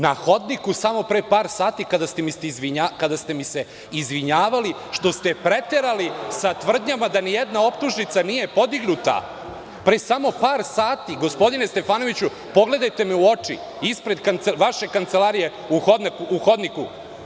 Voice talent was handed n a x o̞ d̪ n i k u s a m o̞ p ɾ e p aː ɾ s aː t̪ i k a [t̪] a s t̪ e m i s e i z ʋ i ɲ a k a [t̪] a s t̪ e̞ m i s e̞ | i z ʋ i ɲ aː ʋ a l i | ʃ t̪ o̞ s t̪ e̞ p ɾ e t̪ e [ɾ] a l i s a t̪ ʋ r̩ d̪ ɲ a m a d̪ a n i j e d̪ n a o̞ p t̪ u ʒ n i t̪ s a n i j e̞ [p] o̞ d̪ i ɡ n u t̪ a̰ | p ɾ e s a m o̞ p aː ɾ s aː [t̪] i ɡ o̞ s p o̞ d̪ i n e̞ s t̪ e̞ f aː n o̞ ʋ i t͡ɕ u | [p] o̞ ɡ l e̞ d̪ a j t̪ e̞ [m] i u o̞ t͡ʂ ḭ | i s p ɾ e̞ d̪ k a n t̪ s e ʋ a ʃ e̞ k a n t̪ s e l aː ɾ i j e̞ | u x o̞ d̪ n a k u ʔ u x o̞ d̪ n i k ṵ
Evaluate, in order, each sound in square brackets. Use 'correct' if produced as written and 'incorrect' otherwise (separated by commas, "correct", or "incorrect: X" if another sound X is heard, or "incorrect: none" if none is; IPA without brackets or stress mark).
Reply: incorrect: d̪, incorrect: d̪, correct, correct, correct, correct, correct